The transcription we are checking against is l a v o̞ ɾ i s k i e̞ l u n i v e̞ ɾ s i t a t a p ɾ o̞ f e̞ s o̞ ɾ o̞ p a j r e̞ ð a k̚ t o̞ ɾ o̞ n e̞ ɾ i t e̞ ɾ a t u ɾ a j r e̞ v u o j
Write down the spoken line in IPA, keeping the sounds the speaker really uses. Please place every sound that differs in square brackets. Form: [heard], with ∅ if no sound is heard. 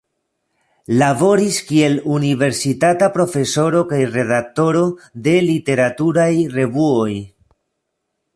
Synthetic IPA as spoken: l a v o̞ ɾ i s k i e̞ l u n i v e̞ ɾ s i t a t a p ɾ o̞ f e̞ s o̞ ɾ o̞ [k] a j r e̞ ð a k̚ t o̞ ɾ o̞ [d] e̞ [l] i t e̞ ɾ a t u ɾ a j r e̞ v u o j